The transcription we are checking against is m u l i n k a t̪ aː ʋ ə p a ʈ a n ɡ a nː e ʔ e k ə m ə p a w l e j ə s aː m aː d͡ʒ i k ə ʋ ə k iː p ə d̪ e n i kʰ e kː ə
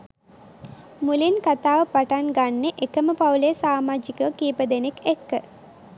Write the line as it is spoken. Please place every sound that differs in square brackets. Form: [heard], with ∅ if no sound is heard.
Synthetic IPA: m u l i n k a t̪ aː ʋ ə p a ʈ a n ɡ a nː e ʔ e k ə m ə p a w l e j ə s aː m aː d͡ʒ i k ə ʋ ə k iː p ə d̪ e n [e] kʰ e kː ə